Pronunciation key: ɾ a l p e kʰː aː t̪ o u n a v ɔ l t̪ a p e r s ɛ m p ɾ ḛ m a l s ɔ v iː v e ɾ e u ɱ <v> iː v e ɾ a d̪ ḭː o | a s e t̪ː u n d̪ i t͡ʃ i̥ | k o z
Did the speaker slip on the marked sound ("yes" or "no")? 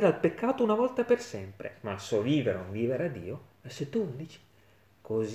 no